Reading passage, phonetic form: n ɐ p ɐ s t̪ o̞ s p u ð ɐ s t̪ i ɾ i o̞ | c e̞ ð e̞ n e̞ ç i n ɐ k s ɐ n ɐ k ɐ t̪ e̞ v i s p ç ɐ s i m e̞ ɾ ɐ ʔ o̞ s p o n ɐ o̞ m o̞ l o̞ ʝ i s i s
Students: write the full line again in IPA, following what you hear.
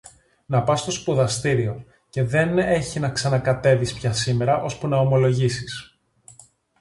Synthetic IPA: n ɐ p ɐ s t̪ o̞ s p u ð ɐ s t̪ i ɾ i o̞ | c e̞ ð e̞ n e̞ ç i n ɐ k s ɐ n ɐ k ɐ t̪ e̞ v i s p ç ɐ s i m e̞ ɾ ɐ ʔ o̞ s p u n ɐ o̞ m o̞ l o̞ ʝ i s i s